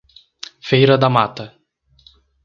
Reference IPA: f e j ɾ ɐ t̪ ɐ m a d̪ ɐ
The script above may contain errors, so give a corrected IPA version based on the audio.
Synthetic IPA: f e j ɾ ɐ d̪ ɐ m a t̪ ɐ